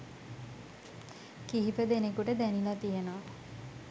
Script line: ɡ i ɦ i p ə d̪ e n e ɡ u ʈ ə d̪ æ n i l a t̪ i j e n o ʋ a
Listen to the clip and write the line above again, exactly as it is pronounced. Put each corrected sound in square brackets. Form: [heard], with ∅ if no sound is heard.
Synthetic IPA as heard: [k] i ɦ i p ə d̪ e n e [k] u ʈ ə d̪ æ n i l a t̪ i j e n o ʋ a